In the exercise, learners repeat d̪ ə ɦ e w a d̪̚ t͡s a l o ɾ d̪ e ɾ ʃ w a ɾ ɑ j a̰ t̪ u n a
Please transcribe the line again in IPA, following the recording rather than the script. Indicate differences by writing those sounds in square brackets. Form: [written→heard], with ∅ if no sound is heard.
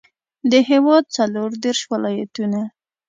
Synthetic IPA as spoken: d̪ ə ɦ e w [a→ɑ] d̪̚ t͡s a l o ɾ d̪ e ɾ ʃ w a [ɾ→l] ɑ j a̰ t̪ u n a